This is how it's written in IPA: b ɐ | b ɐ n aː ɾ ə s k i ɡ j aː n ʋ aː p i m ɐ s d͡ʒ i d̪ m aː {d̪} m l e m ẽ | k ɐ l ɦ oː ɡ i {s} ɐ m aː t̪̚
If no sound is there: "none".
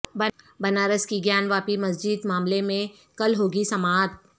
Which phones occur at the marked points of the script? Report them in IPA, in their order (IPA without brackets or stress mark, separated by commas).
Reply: none, s